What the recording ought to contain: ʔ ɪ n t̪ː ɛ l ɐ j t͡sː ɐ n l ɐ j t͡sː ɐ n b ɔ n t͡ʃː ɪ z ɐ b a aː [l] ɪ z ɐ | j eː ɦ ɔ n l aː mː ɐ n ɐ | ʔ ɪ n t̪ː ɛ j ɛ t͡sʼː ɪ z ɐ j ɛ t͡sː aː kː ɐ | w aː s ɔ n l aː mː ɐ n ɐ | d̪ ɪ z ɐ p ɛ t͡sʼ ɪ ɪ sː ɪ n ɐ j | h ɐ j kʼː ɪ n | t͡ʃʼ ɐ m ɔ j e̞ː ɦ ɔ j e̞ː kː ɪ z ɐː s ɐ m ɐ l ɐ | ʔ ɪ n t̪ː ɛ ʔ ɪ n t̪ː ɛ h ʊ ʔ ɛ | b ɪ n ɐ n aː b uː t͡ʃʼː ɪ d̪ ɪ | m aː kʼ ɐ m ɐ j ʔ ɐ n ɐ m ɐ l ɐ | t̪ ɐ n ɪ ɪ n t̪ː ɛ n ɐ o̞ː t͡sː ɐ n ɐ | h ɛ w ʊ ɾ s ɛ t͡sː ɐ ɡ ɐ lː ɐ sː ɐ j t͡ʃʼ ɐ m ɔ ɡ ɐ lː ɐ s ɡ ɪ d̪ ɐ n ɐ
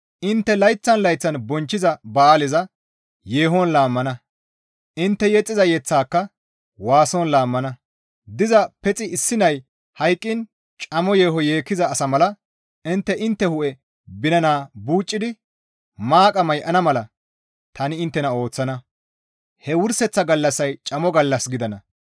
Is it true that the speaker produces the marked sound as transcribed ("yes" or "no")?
yes